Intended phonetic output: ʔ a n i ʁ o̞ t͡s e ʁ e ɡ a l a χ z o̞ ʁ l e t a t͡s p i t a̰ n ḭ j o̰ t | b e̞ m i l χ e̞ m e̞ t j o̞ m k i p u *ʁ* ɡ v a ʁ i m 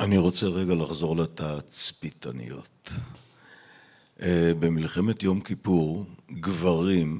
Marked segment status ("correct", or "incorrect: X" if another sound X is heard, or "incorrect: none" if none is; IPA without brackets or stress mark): correct